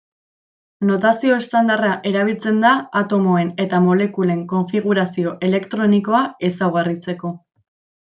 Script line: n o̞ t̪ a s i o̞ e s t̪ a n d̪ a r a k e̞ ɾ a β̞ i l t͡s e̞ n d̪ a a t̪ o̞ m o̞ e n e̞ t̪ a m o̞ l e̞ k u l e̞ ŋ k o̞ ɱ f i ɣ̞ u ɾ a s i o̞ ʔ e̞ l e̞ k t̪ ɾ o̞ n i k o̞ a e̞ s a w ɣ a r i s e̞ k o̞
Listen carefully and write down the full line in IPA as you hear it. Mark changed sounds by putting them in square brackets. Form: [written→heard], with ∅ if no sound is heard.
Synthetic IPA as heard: n o̞ t̪ a s i o̞ e s t̪ a n d̪ a r a [k→ʔ] e̞ ɾ a β̞ i l t͡s e̞ n d̪ a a t̪ o̞ m o̞ e n e̞ t̪ a m o̞ l e̞ k u l e̞ ŋ k o̞ ɱ f i ɣ̞ u ɾ a s i o̞ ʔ e̞ l e̞ k t̪ ɾ o̞ n i k o̞ a e̞ s a w ɣ a r i [s→t͡s] e̞ k o̞